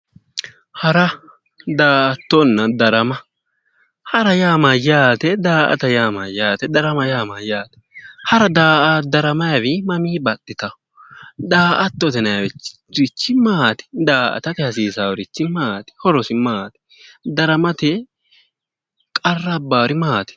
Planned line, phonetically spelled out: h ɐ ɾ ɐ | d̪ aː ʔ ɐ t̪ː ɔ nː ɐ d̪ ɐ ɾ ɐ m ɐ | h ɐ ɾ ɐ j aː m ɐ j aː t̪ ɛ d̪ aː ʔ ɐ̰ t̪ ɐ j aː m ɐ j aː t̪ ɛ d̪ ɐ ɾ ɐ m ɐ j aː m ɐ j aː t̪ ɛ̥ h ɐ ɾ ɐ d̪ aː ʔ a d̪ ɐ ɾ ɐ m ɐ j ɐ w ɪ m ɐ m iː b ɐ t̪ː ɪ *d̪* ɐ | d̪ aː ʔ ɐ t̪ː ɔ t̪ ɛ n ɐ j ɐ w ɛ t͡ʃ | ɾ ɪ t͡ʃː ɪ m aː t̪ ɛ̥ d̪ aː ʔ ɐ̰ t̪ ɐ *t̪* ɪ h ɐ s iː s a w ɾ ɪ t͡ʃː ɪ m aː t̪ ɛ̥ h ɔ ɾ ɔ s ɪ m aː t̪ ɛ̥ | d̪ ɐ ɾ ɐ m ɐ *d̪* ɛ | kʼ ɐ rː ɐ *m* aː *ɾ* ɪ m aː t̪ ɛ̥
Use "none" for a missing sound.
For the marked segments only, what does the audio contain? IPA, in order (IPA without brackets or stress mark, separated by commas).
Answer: t̪, t̪, t̪, b, ɾ